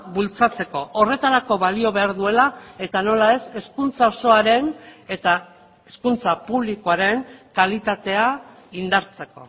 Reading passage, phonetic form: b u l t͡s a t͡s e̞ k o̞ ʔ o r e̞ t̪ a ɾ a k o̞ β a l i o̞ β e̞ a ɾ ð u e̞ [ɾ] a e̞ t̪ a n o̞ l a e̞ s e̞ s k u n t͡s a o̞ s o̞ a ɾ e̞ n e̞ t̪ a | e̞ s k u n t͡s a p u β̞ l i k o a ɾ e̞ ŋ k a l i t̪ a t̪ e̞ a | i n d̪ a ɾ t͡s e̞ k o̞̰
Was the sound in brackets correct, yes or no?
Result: no